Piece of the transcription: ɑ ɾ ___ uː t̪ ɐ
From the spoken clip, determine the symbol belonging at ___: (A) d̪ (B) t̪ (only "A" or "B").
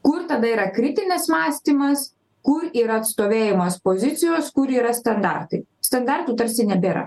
B